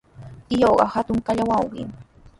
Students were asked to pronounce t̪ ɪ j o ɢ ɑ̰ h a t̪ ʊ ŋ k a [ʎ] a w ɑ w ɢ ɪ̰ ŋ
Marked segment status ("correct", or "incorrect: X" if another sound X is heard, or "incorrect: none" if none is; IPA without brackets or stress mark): correct